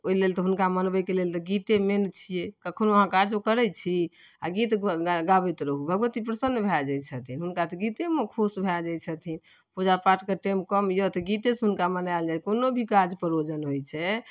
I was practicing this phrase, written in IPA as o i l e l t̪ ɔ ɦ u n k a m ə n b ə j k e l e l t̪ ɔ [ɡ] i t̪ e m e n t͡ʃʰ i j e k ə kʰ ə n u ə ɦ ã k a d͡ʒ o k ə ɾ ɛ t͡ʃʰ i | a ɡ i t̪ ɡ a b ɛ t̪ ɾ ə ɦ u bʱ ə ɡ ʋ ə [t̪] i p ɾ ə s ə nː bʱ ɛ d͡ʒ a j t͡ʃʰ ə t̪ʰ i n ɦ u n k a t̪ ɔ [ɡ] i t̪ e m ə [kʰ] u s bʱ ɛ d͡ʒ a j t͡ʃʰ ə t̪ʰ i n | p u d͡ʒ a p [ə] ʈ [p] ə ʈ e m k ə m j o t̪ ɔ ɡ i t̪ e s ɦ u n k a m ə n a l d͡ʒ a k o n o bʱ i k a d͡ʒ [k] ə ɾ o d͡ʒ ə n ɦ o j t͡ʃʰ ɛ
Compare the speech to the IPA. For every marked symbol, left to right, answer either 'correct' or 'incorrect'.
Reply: correct, correct, correct, correct, incorrect, incorrect, incorrect

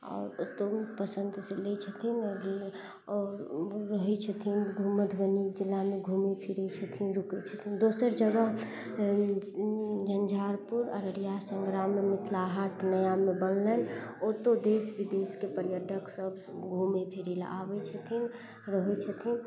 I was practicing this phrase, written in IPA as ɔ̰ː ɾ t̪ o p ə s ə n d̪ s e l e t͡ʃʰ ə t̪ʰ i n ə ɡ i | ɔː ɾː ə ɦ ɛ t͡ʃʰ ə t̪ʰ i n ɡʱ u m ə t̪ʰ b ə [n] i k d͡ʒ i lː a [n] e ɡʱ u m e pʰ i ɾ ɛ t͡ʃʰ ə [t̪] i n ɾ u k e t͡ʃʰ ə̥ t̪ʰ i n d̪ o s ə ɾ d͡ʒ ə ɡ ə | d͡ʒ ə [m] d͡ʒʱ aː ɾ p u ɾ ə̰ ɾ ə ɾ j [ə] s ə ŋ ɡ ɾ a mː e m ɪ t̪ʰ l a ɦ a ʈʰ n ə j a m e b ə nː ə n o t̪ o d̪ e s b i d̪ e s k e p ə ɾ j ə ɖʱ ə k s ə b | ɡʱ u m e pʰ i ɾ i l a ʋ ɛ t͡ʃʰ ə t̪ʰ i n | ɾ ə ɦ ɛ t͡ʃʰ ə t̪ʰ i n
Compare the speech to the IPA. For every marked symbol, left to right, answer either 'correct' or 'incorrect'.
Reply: correct, incorrect, incorrect, incorrect, incorrect

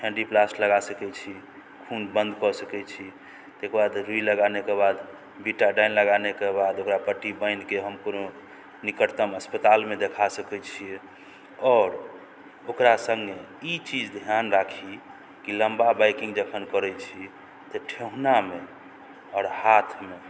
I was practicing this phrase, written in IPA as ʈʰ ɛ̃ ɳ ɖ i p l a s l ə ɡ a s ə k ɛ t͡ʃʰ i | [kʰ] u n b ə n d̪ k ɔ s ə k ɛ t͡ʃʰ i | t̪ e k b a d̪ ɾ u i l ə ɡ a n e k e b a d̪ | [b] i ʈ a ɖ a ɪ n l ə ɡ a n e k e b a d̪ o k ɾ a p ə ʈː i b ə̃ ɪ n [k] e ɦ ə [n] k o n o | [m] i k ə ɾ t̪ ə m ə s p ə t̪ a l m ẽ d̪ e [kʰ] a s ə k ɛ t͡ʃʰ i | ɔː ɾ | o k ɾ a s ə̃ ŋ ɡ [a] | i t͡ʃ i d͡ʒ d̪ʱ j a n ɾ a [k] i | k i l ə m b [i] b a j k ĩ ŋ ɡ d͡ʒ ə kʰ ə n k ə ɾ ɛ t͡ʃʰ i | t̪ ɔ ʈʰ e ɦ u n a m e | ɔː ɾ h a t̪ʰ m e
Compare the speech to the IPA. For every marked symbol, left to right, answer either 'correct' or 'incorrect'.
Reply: correct, correct, correct, incorrect, incorrect, correct, incorrect, incorrect, incorrect

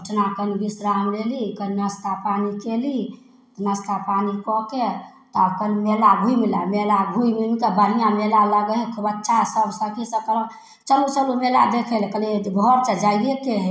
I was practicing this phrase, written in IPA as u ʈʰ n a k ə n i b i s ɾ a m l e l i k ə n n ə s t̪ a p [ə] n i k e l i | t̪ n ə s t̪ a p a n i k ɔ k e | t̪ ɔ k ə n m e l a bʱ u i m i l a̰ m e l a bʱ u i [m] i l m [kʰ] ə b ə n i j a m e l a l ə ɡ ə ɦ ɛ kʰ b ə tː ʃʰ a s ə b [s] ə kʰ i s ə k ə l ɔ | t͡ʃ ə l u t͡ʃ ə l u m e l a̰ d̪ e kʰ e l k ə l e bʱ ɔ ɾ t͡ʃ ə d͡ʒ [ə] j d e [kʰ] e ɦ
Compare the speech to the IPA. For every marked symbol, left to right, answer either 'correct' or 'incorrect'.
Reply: incorrect, correct, incorrect, correct, incorrect, incorrect

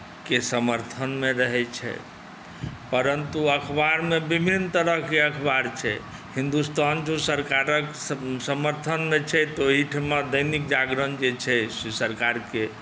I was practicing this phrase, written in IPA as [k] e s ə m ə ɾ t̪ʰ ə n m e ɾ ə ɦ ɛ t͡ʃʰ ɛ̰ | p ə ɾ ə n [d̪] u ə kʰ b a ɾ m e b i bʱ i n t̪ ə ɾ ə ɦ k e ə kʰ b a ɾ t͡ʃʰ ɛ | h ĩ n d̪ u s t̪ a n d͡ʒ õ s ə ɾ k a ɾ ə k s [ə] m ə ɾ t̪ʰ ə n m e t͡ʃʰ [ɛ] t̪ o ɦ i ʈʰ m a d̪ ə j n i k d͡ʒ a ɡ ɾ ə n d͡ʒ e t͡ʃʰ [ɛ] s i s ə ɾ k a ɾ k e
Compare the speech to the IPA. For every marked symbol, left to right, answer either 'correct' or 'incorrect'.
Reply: correct, incorrect, correct, correct, correct

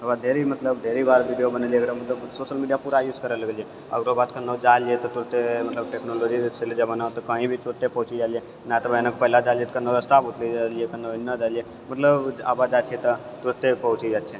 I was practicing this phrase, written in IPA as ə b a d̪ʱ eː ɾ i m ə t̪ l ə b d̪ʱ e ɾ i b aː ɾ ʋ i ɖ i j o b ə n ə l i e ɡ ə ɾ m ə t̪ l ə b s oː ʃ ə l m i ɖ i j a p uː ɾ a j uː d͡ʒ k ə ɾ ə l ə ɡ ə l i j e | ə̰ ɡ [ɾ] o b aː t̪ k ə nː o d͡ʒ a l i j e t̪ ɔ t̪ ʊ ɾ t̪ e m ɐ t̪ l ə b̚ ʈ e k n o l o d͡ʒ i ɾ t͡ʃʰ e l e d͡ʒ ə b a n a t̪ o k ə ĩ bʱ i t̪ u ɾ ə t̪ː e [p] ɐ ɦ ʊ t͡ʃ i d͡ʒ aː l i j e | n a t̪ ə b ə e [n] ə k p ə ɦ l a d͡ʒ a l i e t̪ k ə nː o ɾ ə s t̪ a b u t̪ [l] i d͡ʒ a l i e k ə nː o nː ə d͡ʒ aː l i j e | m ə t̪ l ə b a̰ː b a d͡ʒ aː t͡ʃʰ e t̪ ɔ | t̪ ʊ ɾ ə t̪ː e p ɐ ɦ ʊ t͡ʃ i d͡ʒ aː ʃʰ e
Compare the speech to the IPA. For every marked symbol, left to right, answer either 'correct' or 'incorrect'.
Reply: correct, correct, correct, correct

